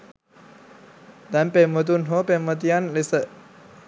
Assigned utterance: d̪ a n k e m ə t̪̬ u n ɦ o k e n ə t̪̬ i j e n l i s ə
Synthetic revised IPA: d̪ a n p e m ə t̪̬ u n ɦ o p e m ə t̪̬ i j a n l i s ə